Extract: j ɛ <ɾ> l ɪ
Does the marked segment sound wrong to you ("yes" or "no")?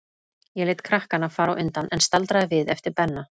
yes